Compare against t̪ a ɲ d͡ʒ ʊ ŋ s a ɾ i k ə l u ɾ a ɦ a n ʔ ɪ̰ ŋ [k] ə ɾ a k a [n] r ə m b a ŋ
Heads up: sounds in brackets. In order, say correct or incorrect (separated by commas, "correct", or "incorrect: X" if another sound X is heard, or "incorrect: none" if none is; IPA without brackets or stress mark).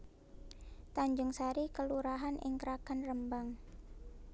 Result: correct, correct